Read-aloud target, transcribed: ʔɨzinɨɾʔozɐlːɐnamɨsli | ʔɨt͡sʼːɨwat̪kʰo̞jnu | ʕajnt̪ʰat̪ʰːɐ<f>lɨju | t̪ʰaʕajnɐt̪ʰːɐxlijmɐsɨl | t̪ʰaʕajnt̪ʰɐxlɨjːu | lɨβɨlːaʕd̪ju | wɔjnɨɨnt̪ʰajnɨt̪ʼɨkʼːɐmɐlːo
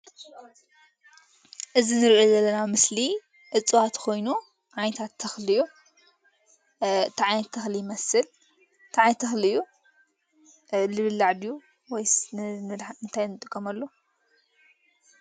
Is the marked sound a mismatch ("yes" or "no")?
yes